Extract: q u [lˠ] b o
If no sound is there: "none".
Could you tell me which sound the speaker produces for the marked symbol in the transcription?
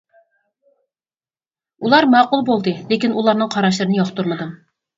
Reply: lˠ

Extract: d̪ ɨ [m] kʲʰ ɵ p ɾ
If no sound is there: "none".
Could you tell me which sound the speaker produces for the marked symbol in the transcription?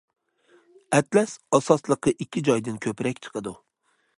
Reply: n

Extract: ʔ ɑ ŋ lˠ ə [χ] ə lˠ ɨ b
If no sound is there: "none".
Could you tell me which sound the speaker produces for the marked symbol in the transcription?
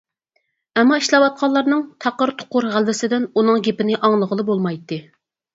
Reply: ʁ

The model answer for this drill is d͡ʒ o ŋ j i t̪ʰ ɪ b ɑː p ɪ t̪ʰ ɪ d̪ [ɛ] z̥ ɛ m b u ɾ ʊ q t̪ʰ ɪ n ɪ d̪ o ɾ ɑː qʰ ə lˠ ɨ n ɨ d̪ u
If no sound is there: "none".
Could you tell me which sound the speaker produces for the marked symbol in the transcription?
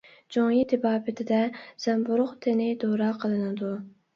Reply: ɛ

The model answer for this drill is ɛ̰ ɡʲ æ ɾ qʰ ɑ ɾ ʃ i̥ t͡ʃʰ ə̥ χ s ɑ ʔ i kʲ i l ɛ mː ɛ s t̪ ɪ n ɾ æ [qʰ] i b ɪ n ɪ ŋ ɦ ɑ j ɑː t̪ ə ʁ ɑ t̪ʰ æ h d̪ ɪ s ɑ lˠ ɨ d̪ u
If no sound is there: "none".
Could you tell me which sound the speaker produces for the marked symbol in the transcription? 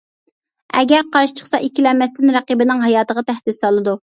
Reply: q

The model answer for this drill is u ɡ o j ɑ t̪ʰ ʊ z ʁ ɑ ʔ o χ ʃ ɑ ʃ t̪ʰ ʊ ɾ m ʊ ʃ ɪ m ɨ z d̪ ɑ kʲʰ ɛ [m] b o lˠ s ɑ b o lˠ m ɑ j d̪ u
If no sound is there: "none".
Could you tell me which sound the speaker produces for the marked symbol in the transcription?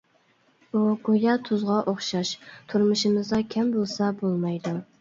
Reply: m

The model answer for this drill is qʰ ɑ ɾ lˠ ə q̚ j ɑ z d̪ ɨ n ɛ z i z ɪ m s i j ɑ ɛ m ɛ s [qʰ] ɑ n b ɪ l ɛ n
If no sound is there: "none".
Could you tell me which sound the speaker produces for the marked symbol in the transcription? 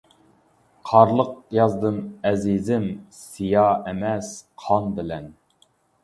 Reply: qʰ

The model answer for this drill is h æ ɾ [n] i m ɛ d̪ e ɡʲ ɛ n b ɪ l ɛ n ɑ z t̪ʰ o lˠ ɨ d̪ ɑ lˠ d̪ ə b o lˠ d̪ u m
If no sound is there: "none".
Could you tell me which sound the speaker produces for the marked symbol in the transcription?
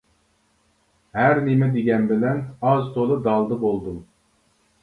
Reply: n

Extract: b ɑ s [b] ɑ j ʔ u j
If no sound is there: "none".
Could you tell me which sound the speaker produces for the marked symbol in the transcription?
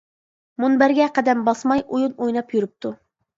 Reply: m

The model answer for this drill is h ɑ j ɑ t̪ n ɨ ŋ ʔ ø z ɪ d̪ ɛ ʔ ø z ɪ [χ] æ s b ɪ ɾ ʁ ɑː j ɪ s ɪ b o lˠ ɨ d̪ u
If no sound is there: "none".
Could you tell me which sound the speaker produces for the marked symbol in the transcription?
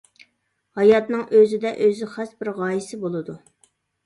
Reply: χ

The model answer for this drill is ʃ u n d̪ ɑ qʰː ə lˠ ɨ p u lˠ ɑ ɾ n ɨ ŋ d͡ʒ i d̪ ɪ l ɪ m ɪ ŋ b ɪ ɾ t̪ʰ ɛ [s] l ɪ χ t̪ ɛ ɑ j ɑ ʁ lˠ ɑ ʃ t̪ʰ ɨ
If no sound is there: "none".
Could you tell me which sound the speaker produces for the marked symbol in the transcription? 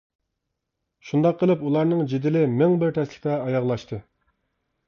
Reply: s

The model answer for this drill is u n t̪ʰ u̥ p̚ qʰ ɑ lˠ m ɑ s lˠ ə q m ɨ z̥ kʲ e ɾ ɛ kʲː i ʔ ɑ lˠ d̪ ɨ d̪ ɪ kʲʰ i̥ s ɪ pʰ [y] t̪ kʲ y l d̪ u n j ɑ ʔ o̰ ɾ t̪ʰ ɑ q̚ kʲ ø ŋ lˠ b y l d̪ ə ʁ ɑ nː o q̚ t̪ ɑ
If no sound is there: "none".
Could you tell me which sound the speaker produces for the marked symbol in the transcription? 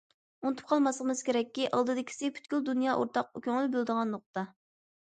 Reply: y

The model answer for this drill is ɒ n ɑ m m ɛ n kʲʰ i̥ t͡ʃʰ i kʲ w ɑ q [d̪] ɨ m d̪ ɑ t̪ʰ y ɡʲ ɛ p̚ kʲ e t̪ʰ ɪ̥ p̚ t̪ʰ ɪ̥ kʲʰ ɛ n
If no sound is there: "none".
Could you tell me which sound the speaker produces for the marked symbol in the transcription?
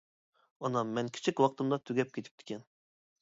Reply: t̪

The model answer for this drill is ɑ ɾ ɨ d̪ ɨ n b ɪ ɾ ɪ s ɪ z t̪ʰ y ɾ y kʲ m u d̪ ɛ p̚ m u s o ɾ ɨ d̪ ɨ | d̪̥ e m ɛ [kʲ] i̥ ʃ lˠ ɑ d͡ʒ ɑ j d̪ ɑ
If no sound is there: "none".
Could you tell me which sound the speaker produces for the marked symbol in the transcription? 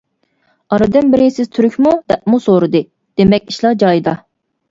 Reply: kʲ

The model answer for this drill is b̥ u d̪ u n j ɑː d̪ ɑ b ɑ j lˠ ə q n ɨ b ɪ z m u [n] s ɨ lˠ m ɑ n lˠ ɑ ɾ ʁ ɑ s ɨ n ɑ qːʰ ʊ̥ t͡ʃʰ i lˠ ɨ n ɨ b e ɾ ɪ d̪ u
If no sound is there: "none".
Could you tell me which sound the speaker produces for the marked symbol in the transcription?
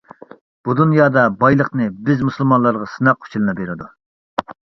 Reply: none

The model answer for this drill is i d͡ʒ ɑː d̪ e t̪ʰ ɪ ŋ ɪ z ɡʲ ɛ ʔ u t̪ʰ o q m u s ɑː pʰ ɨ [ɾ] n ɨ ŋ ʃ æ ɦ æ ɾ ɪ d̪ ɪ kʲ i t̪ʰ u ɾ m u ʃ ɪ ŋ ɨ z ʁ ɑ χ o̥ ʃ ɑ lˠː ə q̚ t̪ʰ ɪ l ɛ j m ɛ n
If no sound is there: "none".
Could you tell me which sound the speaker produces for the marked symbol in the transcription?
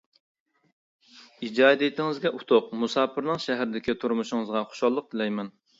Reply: ɾ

